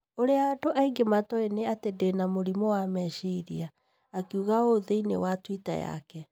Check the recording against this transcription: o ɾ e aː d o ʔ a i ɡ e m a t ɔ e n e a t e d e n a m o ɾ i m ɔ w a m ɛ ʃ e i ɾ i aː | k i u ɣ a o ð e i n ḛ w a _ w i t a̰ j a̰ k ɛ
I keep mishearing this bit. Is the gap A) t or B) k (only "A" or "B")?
A